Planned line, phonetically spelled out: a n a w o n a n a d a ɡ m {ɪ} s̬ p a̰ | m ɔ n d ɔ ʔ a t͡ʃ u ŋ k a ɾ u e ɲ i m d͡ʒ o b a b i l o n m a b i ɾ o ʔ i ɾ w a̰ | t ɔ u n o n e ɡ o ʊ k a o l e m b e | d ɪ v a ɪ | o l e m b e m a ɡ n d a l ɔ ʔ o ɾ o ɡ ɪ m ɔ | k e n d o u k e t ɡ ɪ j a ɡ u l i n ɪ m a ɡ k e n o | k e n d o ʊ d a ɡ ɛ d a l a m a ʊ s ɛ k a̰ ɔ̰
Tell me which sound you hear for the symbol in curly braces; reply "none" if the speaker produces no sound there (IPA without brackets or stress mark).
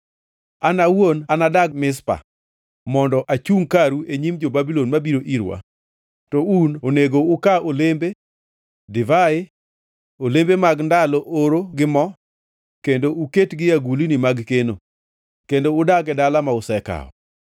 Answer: ɪ